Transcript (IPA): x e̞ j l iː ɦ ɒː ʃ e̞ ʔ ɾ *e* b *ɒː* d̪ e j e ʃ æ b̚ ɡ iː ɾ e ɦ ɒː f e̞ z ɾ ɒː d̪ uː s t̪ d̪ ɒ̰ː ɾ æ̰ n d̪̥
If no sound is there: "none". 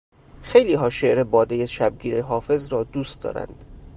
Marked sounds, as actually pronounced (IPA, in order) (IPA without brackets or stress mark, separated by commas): e, ɒː